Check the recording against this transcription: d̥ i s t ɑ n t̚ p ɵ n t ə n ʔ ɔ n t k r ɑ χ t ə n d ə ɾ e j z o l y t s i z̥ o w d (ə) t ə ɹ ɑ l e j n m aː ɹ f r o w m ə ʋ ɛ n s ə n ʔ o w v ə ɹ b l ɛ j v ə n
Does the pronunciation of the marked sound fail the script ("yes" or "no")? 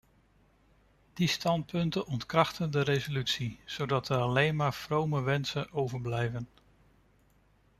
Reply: yes